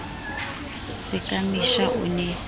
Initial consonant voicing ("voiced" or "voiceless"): voiceless